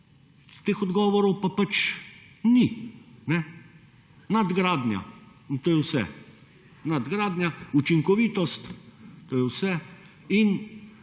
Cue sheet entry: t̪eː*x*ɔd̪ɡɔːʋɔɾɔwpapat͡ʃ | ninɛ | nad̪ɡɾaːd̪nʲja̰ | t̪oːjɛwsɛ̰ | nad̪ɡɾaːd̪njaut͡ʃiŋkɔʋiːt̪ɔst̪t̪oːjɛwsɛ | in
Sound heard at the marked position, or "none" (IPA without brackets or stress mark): x